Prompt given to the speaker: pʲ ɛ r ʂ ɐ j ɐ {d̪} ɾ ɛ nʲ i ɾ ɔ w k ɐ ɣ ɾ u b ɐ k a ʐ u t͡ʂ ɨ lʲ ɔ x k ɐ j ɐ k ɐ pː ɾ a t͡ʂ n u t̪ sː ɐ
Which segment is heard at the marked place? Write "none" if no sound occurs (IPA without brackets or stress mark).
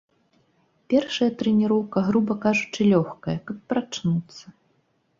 t̪